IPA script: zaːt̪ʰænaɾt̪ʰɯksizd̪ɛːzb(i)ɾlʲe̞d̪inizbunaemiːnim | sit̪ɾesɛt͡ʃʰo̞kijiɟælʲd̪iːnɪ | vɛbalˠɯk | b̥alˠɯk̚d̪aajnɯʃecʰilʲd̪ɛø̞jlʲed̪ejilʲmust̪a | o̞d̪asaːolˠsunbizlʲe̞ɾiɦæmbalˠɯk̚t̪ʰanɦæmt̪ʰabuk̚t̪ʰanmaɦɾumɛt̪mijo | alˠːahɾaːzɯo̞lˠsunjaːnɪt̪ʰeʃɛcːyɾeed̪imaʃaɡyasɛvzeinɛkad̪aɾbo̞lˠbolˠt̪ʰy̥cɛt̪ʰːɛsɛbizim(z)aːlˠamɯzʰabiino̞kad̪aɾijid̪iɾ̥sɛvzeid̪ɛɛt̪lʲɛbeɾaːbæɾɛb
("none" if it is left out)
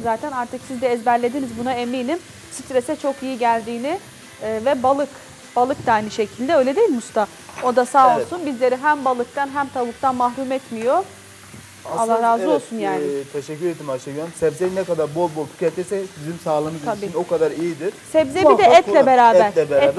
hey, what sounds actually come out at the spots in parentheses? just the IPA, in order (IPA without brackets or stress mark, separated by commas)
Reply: æ, s